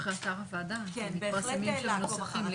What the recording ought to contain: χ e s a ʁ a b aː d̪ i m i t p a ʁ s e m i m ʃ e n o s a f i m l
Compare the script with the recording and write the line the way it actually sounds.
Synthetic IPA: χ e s a ʁ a v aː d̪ a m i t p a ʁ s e m i m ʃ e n o s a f i m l